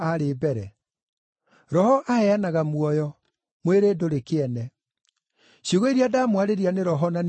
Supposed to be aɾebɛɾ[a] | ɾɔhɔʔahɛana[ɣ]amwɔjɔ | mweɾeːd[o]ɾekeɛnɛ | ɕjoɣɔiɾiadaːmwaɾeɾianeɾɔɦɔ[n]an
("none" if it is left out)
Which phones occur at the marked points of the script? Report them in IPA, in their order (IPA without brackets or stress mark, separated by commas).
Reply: ɛ, ɣ, o, n